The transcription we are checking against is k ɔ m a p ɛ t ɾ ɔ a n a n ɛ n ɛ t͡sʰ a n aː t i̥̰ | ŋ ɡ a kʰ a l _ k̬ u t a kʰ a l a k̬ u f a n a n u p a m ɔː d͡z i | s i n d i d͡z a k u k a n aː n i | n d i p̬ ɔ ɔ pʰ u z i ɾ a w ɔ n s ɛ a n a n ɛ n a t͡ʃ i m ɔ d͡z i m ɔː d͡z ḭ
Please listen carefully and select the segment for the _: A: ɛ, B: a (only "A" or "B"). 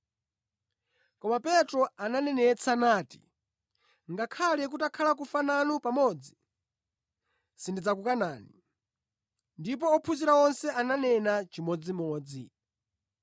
A